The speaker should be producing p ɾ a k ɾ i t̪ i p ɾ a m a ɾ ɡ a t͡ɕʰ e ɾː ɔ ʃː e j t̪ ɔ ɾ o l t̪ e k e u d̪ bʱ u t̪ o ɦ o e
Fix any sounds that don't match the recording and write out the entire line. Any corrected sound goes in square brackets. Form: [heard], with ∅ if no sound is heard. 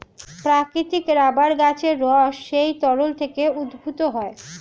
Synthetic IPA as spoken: p ɾ a k ɾ i t̪ i [k] ɾ a [b] a ɾ ɡ a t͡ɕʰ e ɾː ɔ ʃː e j t̪ ɔ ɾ o l [t̪ʰ] e k e u d̪ bʱ u t̪ o ɦ [ɔ] e